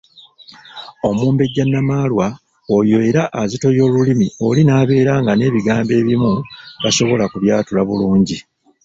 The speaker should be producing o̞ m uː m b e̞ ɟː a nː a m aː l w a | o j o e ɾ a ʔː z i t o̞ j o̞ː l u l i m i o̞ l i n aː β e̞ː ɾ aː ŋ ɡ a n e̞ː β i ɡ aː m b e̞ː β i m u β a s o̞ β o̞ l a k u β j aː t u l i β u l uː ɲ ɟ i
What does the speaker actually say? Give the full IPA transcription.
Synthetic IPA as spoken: o̞ m uː m b e̞ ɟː a nː a m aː l w a | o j o e ɾ a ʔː z i t o̞ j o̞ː l u l i m i o̞ l i n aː β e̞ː ɾ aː ŋ ɡ a n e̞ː β i ɡ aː m b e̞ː β i m u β a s o̞ β o̞ l a k u β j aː t u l a β u l uː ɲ ɟ i